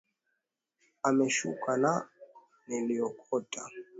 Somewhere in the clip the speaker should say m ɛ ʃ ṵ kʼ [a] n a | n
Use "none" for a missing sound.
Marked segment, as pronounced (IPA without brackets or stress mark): a